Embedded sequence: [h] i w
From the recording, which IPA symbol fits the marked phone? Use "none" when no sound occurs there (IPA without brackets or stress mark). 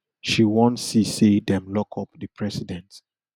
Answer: ʃ